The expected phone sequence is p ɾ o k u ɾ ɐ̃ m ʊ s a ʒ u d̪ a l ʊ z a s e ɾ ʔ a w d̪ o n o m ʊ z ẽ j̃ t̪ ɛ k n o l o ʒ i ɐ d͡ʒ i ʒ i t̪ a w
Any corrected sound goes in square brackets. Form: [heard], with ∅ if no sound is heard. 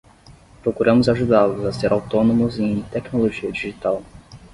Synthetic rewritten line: p ɾ o k u ɾ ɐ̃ m ʊ [z] a ʒ u d̪ a l ʊ z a s e ɾ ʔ a w [t̪] o n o m ʊ z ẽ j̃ t̪ ɛ k n o l o ʒ i ɐ d͡ʒ i ʒ i t̪ a w